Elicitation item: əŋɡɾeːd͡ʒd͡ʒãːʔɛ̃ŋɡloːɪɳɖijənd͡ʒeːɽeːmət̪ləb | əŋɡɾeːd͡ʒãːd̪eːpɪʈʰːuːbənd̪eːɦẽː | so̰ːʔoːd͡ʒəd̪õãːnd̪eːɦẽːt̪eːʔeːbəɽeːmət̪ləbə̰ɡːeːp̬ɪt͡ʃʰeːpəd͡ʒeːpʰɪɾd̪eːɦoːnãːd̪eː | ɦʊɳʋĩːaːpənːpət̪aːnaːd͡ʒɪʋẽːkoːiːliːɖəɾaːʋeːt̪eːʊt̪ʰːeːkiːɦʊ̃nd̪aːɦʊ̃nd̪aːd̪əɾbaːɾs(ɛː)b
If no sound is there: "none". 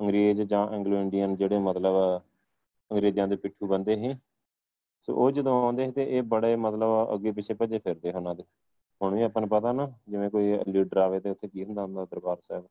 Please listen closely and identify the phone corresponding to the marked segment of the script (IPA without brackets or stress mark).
ɛː